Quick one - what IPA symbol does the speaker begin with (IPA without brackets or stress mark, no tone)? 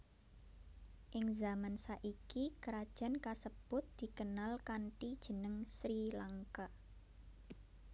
ʔ